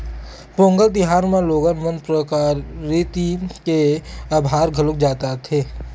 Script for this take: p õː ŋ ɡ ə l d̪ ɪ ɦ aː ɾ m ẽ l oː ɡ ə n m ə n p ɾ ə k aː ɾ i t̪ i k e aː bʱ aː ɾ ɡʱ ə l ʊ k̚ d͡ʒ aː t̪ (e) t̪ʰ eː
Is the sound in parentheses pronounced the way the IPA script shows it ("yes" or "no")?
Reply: no